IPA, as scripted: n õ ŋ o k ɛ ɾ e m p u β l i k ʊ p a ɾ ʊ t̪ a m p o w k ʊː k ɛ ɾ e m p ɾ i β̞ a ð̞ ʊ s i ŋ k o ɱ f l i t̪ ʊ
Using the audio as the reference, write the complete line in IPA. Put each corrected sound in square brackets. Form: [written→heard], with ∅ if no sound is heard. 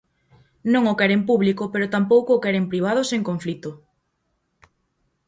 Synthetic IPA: n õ ŋ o k ɛ ɾ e m p u β l i k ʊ p [a→e] ɾ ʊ t̪ a m p o w k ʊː k ɛ ɾ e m p ɾ i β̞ a ð̞ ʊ s [i→e] ŋ k o ɱ f l i t̪ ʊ